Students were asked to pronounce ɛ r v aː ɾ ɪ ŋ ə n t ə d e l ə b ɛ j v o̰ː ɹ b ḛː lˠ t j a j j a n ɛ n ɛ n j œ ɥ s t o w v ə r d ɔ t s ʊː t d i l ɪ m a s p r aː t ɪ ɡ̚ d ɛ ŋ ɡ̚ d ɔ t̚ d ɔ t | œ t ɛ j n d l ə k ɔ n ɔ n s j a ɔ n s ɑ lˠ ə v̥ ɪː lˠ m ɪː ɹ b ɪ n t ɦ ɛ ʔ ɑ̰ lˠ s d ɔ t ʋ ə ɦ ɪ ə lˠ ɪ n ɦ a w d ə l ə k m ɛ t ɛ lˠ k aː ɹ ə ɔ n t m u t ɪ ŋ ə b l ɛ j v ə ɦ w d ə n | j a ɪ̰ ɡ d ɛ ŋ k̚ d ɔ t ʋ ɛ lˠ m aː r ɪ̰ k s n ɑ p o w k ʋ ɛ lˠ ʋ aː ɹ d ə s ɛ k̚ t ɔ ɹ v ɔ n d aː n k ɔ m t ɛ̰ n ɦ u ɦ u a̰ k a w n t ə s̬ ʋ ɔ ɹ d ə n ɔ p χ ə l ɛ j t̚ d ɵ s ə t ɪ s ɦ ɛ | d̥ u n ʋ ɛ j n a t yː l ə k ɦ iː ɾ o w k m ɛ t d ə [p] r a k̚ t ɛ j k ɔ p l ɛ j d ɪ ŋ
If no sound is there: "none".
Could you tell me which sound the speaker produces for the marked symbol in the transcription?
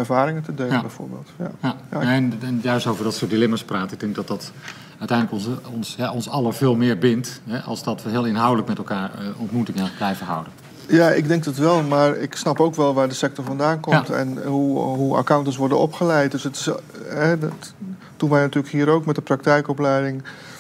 p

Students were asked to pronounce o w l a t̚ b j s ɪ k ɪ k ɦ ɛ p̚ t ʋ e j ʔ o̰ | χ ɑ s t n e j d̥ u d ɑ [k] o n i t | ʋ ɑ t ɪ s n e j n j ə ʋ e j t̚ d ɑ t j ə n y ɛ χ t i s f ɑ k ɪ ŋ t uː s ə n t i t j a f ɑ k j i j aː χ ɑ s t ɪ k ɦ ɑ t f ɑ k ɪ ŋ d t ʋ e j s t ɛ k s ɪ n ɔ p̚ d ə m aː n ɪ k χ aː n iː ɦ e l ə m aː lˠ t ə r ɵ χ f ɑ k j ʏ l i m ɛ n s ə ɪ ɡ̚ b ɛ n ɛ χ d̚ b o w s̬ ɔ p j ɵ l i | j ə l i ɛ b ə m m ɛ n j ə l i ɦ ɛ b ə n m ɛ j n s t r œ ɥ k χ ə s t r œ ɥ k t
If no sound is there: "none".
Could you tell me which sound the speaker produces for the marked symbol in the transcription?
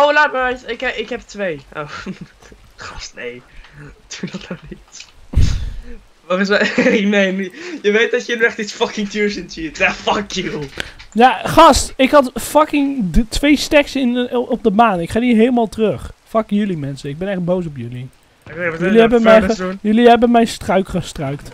t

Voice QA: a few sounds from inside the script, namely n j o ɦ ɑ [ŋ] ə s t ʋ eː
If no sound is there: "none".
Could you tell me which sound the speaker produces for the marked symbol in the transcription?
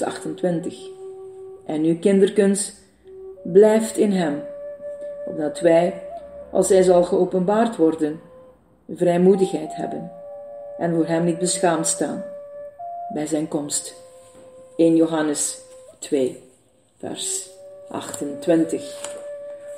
n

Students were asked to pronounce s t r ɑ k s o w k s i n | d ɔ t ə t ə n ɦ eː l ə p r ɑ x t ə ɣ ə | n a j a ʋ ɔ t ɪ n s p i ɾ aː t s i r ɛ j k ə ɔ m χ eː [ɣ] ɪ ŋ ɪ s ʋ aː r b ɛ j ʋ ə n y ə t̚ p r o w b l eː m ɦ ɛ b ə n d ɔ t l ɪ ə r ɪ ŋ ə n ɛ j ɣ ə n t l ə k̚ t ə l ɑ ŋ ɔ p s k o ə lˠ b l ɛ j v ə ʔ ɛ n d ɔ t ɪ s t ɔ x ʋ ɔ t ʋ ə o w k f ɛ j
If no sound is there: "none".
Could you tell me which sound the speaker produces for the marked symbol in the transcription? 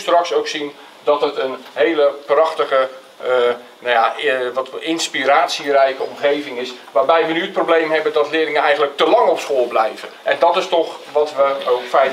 v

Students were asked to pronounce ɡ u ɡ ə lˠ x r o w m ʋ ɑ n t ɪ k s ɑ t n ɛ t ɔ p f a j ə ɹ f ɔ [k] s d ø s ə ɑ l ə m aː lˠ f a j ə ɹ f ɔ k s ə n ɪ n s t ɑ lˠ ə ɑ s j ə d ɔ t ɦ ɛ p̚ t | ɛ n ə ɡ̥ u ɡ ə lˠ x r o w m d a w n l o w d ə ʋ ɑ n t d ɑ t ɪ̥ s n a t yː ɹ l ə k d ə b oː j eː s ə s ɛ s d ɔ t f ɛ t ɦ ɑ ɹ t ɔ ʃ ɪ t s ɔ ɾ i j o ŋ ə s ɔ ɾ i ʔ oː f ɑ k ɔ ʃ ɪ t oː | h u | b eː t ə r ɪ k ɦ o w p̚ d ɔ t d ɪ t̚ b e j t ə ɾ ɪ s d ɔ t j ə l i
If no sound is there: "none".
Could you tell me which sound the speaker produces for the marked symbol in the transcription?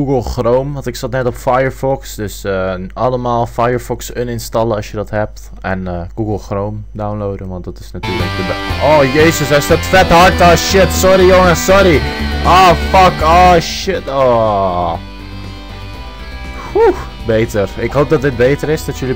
k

